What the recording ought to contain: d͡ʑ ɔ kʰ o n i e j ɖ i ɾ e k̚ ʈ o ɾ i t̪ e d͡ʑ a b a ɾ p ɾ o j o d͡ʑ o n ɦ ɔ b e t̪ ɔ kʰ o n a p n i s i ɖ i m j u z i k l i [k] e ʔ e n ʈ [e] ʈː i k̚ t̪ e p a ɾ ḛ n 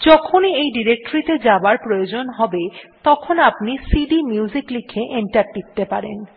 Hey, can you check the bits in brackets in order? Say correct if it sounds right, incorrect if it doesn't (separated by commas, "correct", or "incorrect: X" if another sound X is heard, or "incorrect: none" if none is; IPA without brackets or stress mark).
incorrect: kʰ, incorrect: a